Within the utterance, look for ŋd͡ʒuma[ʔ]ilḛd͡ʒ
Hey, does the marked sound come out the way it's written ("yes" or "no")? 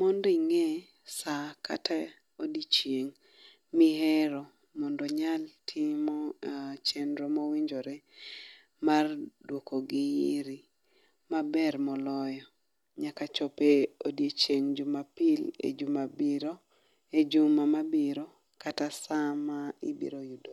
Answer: no